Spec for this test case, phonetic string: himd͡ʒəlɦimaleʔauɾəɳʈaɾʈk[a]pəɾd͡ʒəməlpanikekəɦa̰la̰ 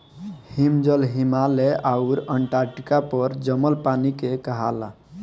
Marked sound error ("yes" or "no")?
no